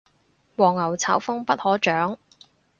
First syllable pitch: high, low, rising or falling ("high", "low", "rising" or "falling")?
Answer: low